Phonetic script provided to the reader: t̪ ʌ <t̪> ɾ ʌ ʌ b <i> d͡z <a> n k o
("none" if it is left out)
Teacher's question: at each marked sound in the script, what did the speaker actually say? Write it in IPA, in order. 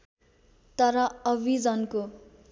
none, i, ʌ

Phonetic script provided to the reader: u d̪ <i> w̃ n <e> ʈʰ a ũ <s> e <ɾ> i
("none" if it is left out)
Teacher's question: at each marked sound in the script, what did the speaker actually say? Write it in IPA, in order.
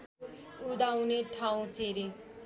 a, e, t͡s, ɾ

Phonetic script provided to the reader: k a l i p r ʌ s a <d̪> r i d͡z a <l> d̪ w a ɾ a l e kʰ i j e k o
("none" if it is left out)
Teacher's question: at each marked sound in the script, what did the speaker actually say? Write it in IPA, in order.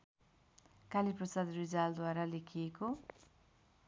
d̪, l

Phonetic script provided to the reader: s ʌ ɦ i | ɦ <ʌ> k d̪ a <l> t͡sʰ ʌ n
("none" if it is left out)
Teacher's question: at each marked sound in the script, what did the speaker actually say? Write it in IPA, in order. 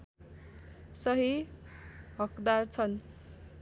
ʌ, r

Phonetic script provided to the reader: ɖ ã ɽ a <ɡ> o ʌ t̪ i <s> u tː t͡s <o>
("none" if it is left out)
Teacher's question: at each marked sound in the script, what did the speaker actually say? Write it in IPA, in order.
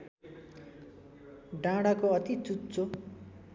k, t͡s, o

